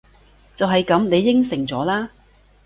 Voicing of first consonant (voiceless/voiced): voiceless